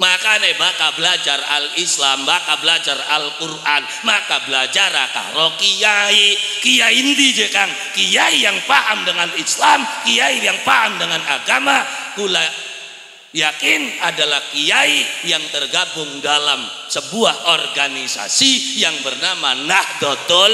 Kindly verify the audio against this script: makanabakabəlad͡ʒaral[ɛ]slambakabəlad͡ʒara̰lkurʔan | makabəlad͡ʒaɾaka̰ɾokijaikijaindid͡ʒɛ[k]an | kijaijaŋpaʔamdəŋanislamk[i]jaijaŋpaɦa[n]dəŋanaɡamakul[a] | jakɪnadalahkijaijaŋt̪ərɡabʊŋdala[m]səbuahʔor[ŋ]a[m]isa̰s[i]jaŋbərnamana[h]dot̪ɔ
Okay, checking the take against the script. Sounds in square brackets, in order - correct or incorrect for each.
incorrect: i, correct, correct, incorrect: m, correct, correct, incorrect: ɡ, incorrect: n, correct, correct

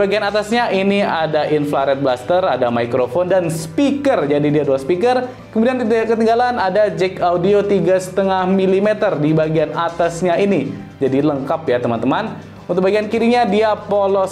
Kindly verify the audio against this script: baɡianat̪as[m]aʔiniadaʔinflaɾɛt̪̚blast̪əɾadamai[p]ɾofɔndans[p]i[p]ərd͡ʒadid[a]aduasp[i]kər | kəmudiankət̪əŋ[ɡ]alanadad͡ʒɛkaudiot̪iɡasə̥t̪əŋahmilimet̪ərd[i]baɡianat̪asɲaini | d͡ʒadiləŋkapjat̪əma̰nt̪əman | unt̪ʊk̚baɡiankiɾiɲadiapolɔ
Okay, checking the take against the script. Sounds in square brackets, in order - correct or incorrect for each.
incorrect: ɲ, incorrect: k, correct, incorrect: k, incorrect: i, correct, correct, correct

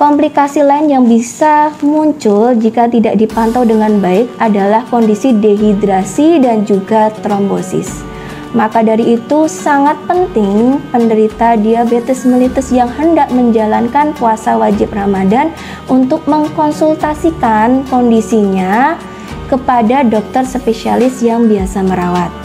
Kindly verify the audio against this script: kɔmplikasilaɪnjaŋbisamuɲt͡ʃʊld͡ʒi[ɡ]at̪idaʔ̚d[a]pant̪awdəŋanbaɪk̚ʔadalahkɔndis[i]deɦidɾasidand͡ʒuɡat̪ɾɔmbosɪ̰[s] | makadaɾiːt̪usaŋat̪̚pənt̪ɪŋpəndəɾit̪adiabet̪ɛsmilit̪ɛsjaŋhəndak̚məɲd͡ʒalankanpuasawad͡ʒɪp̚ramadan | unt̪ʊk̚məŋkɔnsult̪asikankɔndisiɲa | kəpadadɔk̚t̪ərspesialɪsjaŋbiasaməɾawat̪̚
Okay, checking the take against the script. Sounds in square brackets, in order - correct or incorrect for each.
incorrect: k, incorrect: i, correct, correct

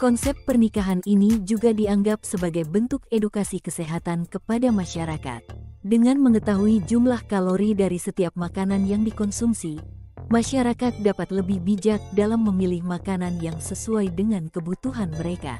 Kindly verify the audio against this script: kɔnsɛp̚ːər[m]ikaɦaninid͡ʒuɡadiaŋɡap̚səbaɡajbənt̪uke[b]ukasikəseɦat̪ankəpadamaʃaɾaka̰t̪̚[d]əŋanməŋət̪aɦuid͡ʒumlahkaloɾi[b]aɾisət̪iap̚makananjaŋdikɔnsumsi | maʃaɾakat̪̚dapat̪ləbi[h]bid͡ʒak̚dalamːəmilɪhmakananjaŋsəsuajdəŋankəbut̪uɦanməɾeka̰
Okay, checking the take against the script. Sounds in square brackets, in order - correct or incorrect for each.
incorrect: n, incorrect: d, correct, incorrect: d, correct

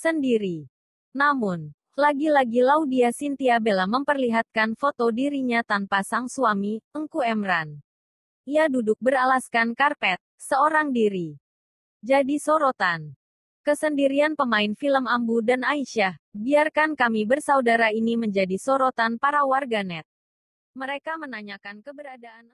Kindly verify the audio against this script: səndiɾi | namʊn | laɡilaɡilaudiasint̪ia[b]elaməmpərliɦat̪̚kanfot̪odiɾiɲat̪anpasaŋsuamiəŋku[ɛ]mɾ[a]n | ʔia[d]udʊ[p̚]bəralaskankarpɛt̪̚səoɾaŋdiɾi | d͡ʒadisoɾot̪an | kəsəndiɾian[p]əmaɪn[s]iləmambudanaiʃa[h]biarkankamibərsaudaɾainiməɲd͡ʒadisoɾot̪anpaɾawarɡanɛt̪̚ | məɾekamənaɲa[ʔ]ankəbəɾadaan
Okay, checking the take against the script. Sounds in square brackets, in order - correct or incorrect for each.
correct, correct, correct, correct, incorrect: k̚, correct, incorrect: f, correct, incorrect: k

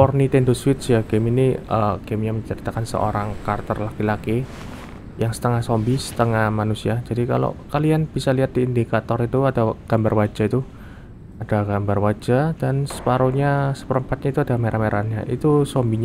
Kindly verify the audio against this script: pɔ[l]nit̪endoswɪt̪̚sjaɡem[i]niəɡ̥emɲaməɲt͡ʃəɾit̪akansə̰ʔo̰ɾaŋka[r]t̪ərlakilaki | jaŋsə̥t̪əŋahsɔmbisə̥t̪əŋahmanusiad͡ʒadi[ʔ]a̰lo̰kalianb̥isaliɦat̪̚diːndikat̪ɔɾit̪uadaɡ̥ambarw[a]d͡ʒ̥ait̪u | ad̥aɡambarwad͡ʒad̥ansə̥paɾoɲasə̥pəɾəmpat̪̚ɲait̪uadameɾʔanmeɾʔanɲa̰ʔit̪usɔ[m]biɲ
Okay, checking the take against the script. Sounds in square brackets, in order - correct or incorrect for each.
incorrect: r, correct, correct, incorrect: k, correct, correct

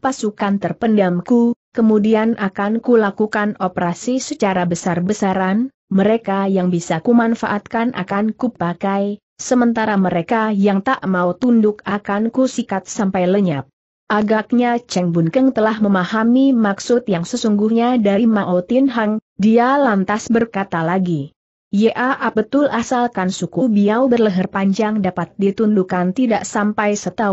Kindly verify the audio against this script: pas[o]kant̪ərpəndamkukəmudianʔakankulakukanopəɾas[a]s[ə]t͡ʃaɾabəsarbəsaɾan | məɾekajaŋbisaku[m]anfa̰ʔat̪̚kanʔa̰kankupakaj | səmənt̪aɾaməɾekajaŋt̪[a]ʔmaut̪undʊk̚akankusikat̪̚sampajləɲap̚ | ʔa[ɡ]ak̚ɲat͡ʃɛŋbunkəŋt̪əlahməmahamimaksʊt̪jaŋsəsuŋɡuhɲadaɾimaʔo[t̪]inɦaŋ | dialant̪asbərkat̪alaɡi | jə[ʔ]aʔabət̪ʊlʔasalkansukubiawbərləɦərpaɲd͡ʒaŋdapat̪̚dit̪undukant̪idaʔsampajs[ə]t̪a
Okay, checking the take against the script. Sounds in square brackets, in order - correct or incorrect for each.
incorrect: u, incorrect: i, correct, correct, correct, correct, correct, correct, correct

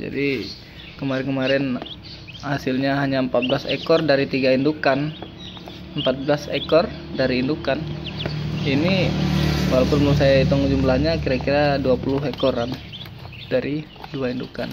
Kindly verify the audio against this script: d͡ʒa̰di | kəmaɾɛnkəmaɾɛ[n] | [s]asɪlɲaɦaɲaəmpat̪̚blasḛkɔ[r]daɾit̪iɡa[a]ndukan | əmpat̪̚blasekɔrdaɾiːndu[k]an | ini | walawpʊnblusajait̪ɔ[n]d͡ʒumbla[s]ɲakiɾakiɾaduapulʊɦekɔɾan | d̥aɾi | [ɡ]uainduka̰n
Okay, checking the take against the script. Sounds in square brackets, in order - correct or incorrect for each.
correct, incorrect: h, correct, incorrect: i, correct, incorrect: ŋ, incorrect: h, incorrect: d

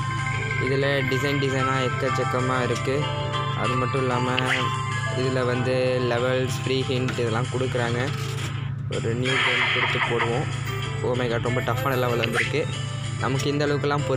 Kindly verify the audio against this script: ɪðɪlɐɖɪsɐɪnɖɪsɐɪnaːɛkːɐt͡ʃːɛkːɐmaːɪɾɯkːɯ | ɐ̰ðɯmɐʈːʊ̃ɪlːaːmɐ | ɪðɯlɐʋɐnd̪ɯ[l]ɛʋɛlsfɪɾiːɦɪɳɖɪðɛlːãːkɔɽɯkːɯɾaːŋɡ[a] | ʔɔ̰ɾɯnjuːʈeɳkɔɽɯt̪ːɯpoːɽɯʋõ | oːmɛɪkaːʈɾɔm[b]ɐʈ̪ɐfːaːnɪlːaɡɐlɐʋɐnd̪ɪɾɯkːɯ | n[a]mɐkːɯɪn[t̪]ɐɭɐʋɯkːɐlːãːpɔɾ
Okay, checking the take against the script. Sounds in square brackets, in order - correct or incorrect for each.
correct, incorrect: ɐ, correct, incorrect: ɐ, incorrect: d̪

